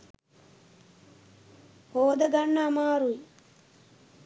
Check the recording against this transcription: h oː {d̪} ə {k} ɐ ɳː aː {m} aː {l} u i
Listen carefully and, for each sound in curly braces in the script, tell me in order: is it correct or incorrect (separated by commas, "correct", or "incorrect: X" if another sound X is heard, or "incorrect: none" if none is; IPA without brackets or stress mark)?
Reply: correct, incorrect: ɡ, correct, incorrect: ɾ